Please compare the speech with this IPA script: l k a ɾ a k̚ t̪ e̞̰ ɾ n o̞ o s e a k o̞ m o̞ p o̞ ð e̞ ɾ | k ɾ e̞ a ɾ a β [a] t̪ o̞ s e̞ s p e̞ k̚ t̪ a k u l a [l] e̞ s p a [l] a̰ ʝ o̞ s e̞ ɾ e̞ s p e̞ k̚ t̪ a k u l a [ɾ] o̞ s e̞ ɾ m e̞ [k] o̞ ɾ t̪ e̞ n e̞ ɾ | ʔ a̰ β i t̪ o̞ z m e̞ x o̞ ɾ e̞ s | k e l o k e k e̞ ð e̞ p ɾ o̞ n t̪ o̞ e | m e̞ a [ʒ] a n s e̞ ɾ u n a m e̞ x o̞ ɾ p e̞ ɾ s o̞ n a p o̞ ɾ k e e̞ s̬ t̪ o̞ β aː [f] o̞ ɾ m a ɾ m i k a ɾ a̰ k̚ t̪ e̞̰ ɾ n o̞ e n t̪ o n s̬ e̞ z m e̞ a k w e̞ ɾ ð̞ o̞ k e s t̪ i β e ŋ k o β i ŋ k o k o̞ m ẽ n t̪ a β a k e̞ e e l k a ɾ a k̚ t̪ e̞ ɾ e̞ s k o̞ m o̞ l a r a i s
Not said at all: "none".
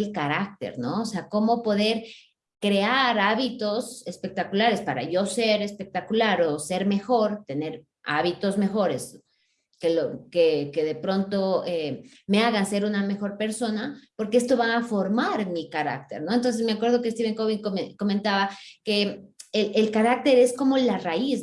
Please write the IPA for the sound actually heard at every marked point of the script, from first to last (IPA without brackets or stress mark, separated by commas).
i, ɾ, ɾ, ɾ, x, ɣ, f